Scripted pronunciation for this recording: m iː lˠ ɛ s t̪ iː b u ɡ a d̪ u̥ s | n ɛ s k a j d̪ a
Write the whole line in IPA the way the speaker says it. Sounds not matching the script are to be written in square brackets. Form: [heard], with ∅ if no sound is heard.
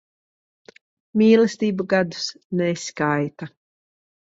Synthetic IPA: m iː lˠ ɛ s t̪ iː b u ɡ a d̪ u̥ s | n ɛ s k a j [t̪] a

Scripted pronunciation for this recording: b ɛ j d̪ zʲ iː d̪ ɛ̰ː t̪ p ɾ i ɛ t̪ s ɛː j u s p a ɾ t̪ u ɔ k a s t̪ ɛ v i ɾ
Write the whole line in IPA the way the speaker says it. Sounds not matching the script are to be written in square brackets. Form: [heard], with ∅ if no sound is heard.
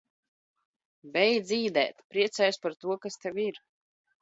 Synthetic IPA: b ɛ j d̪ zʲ iː d̪ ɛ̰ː t̪ p ɾ i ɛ t̪ s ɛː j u s p a ɾ t̪ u ɔ k a s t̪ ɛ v i ɾ

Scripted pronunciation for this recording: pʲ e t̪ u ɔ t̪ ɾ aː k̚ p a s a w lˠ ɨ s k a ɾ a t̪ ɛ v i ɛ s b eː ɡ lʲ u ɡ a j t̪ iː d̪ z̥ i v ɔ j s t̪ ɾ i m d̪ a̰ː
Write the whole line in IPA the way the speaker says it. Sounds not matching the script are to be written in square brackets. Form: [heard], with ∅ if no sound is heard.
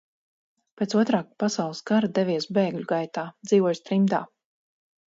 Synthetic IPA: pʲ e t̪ u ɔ t̪ ɾ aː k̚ p a s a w lˠ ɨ s k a ɾ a [d̪] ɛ v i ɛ s b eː ɡ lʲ u ɡ a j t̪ [aː] d̪ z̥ [iː] v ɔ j s t̪ ɾ i m d̪ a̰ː

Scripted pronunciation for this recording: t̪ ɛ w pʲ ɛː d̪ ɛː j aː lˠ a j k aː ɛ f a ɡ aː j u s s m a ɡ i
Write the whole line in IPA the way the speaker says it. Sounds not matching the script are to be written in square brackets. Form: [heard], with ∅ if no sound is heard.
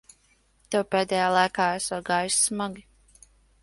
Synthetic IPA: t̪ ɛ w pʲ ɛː d̪ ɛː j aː lˠ a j k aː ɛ [s] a ɡ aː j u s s m a ɡ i

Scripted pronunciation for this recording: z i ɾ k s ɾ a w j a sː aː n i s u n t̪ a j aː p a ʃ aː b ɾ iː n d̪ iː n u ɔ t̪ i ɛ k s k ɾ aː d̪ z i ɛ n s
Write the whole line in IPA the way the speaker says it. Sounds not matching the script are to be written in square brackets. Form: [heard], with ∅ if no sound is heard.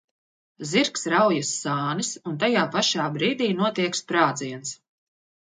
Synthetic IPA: z i ɾ k s ɾ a w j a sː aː n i s u n t̪ a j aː p a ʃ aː b ɾ iː [∅] d̪ iː n u ɔ t̪ i ɛ k s [p] ɾ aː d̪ z i ɛ n s

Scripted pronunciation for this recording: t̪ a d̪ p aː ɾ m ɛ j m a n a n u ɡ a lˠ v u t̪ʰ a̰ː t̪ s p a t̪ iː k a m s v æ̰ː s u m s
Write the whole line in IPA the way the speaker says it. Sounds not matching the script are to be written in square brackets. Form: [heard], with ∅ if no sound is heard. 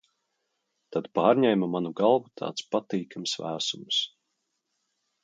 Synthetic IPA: t̪ a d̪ p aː ɾ [ɲ] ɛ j m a [m] a n u ɡ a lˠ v u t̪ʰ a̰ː t̪ s p a t̪ iː k a m s v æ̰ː s u m s

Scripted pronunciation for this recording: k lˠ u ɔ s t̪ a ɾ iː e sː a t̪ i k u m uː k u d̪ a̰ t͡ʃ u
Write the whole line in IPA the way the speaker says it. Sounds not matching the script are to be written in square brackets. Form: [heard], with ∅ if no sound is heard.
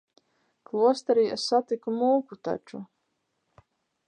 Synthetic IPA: k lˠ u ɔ s t̪ a ɾ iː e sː a t̪ i k u m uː k u [t̪] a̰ t͡ʃ u

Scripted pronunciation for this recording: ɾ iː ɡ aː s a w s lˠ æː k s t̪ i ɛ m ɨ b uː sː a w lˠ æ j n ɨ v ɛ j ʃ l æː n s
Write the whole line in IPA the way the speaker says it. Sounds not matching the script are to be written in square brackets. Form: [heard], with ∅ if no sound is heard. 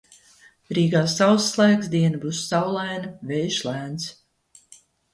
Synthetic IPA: ɾ iː ɡ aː s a w s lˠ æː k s [d̪] i ɛ [n] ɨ b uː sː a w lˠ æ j n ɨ v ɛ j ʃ l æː n s

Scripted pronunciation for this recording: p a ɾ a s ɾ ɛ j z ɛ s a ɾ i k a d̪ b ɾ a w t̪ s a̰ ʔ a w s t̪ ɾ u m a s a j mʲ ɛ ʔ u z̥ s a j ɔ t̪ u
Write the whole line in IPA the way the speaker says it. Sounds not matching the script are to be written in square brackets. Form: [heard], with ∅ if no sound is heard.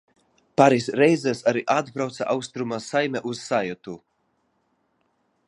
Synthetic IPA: p a ɾ [i] s ɾ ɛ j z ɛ s a ɾ i [ʔ] a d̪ b ɾ a w t̪ s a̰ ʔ a w s t̪ ɾ u m a s a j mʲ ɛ ʔ u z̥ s a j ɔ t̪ u

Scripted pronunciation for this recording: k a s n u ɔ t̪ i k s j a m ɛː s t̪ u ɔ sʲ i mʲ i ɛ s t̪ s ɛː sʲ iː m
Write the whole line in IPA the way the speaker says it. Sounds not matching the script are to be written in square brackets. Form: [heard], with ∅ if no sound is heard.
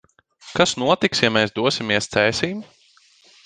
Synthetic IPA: k a s n u ɔ t̪ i k s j a m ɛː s [d̪] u ɔ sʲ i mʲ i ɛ s t̪ s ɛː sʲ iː m

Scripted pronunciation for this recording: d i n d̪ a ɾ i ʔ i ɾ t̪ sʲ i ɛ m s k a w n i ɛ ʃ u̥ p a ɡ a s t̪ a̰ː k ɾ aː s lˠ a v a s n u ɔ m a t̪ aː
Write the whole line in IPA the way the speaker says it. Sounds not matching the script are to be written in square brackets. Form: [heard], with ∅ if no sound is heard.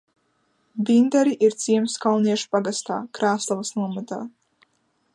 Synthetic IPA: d i n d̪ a ɾ i ʔ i ɾ t̪ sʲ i ɛ m s k a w n i ɛ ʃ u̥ p a ɡ a s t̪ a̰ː k ɾ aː s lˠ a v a s n u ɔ m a t̪ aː

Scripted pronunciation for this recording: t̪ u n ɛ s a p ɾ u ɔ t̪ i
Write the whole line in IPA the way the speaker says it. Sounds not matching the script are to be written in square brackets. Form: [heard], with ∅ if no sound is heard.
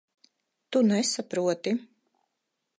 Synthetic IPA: t̪ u n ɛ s a p ɾ u ɔ t̪ i

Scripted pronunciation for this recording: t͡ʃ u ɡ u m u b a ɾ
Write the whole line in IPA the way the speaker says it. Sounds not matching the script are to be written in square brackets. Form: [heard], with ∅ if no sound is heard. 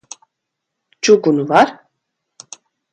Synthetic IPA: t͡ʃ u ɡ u [n] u [v] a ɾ

